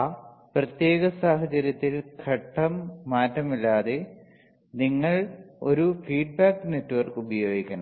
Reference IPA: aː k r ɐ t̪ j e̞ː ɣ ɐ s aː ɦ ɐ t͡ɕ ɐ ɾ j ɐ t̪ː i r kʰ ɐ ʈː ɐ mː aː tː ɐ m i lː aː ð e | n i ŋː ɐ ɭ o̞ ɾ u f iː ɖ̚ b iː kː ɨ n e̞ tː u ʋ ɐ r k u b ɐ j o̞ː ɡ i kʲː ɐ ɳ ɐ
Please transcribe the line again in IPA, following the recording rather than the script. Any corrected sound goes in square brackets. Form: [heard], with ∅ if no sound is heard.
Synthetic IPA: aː [p] r ɐ t̪ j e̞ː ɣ ɐ s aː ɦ ɐ t͡ɕ ɐ ɾ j ɐ t̪ː i [l] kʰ ɐ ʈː ɐ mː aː tː ɐ m i lː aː ð e | n i ŋː ɐ ɭ o̞ ɾ u f iː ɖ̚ b [aː] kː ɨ n e̞ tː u ʋ ɐ r k u b ɐ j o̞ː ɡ i kʲː ɐ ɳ ɐ